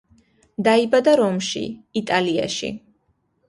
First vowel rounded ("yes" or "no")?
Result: no